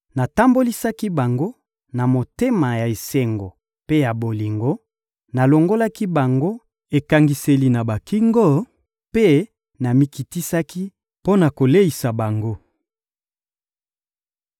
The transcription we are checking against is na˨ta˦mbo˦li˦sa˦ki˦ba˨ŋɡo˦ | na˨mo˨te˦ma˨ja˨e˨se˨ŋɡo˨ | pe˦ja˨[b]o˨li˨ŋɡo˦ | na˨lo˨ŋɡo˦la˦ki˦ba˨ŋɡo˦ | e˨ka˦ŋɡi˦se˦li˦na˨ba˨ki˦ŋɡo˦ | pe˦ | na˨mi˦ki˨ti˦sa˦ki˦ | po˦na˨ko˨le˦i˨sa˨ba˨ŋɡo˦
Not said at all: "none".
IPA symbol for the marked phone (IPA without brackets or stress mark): b